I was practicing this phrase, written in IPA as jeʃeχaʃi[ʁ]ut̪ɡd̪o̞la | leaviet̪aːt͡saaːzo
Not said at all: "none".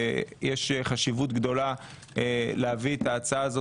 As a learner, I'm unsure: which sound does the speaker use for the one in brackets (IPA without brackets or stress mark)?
v